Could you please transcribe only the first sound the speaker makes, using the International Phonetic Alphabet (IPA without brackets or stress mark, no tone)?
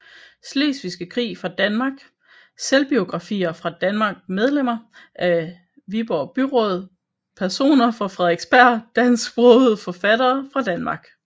s